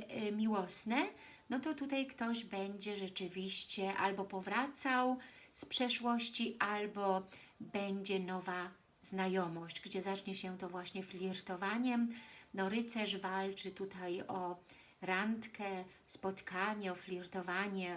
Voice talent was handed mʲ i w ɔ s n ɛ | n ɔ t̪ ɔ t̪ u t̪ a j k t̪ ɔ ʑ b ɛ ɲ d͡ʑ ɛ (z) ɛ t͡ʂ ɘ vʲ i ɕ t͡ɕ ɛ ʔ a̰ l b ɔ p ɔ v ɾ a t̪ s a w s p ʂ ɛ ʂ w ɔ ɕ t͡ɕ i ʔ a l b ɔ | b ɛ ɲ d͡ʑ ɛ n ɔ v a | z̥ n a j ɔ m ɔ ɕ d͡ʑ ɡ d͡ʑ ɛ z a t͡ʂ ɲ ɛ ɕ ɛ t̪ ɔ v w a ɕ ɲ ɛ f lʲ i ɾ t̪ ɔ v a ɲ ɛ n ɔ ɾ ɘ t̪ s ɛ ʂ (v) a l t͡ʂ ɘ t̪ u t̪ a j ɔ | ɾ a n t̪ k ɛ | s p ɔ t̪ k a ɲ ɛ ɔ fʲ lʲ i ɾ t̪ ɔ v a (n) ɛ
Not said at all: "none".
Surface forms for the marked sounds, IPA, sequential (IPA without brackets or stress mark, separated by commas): ʐ, v, ɲ